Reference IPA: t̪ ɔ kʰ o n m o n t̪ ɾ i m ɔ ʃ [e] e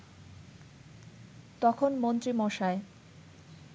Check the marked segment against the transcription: incorrect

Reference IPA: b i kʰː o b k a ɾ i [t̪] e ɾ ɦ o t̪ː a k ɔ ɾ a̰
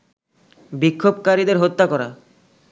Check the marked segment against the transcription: incorrect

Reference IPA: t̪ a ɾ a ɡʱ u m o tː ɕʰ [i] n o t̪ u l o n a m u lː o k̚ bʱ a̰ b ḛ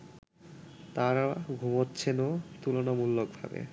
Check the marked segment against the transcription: incorrect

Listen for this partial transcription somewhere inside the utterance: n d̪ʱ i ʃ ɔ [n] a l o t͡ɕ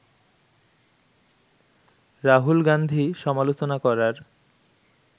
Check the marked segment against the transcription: incorrect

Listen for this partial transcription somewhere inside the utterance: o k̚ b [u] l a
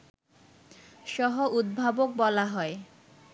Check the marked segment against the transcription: incorrect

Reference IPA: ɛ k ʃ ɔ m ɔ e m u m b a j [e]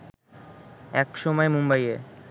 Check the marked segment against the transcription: correct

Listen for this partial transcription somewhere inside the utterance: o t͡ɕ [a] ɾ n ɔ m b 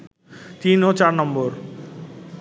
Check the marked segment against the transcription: correct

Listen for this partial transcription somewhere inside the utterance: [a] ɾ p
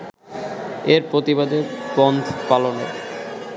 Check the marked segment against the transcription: incorrect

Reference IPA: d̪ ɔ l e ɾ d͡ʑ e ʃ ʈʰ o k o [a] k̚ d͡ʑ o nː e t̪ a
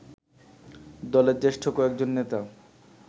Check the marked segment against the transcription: incorrect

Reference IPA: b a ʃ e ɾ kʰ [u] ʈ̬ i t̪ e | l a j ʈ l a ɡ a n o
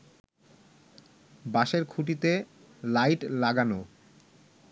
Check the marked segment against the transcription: correct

